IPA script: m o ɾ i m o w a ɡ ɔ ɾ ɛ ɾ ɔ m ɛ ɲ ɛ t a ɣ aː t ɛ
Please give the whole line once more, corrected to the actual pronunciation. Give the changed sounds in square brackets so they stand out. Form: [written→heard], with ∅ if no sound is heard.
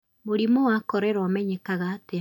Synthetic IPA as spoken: m o ɾ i m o w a [ɡ→k] ɔ ɾ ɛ ɾ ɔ m ɛ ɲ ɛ [t→k] a ɣ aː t [ɛ→e]